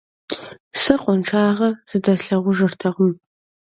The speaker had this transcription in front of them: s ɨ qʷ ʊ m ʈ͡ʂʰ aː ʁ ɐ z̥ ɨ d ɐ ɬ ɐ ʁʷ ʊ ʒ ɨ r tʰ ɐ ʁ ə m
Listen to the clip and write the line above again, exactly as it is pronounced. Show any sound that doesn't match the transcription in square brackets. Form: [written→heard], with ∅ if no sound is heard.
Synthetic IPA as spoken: s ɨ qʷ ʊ [m→n] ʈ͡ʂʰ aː ʁ ɐ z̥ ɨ d ɐ ɬ ɐ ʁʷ ʊ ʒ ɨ r tʰ ɐ ʁ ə m